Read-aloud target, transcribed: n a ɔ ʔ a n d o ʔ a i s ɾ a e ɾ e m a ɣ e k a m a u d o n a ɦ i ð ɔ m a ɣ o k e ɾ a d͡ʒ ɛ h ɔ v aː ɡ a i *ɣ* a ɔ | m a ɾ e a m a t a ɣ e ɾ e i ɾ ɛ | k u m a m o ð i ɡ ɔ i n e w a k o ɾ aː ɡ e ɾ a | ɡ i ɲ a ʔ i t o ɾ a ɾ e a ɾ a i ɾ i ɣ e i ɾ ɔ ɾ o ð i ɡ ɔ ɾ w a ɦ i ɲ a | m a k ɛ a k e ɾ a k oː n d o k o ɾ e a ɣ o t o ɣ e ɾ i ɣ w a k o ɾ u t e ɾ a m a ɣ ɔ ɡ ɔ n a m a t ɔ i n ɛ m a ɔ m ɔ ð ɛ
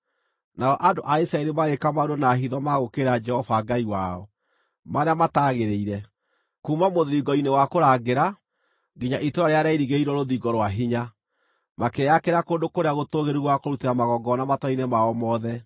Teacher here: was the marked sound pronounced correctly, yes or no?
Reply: no